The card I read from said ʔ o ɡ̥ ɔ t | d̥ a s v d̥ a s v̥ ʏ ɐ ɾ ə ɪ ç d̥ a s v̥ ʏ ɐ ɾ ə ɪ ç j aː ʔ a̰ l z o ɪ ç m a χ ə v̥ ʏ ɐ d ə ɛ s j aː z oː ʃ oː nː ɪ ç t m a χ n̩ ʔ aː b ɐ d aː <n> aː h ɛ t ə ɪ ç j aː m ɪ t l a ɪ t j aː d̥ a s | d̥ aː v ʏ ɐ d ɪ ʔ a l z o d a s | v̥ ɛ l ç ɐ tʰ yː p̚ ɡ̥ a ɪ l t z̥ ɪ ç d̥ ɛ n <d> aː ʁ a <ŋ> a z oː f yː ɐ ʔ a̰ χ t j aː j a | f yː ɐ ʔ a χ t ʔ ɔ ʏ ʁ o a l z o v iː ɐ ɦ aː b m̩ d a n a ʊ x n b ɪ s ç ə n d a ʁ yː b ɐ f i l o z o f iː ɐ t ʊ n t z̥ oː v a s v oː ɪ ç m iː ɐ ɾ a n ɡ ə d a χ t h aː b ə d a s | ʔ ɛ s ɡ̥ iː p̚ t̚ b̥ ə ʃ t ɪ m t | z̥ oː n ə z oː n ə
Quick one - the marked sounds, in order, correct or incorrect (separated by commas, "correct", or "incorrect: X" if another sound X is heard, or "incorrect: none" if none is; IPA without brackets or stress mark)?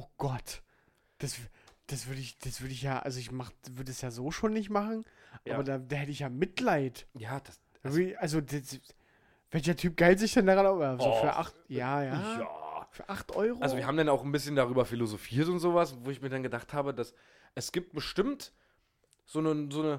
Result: incorrect: d, correct, incorrect: n